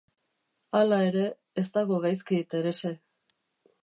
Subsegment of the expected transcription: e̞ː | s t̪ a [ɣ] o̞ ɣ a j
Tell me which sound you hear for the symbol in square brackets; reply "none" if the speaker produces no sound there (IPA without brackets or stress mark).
ɣ